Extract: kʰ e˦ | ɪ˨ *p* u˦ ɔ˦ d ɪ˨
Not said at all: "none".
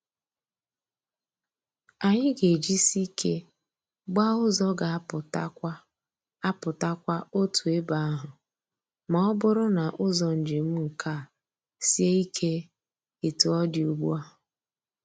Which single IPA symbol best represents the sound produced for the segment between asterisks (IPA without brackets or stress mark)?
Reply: t